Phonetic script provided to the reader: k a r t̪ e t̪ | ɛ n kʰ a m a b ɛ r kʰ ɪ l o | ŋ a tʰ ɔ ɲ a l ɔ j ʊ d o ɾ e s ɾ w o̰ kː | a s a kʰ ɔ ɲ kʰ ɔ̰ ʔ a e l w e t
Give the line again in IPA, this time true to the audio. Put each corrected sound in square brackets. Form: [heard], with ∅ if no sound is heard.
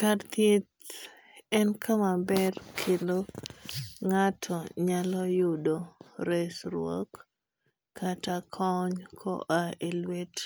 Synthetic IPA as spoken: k a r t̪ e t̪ | ɛ n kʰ a m a b ɛ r kʰ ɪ l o | ŋ a tʰ ɔ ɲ a l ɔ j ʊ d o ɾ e s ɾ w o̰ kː | a [t] a kʰ ɔ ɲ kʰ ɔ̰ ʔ a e l w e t